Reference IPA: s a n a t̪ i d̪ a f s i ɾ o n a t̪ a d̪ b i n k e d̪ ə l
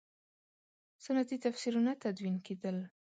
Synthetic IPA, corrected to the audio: s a n a t̪ i t̪ a f s i ɾ u n a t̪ a d̪ w i n k e d̪ ə l